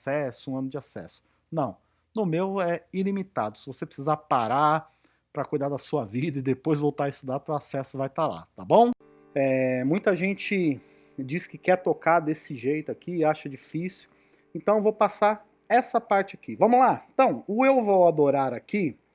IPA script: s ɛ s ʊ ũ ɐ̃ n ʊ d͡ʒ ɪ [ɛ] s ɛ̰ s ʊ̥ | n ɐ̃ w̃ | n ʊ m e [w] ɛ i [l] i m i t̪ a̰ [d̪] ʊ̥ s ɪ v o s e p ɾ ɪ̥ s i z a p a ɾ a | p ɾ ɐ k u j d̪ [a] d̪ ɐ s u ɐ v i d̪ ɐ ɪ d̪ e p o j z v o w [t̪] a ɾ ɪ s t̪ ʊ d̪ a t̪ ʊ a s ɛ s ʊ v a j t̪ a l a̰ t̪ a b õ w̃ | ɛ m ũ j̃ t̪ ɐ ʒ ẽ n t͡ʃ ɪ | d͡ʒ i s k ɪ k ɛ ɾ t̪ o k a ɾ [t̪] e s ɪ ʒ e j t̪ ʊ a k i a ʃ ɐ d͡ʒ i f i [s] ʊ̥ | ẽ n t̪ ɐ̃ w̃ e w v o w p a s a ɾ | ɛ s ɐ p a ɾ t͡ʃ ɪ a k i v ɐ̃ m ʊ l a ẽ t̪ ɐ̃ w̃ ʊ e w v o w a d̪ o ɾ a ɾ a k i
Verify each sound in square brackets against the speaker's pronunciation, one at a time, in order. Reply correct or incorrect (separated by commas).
incorrect, correct, correct, correct, correct, correct, incorrect, correct